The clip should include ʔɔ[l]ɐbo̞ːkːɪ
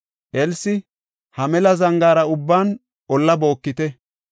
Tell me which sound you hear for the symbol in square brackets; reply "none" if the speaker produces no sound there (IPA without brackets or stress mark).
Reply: lː